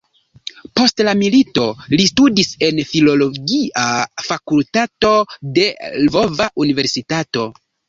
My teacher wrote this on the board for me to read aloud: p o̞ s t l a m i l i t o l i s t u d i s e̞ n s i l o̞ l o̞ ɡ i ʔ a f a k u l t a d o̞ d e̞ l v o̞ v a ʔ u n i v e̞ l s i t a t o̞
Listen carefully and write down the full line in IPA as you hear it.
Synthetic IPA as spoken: p o̞ s t l a m i l i t o l i s t u d i s e̞ n f i l o̞ l o̞ ɡ i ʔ a f a k u l t a t o̞ d e̞ l v o̞ v a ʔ u n i v e̞ ɾ s i t a t o̞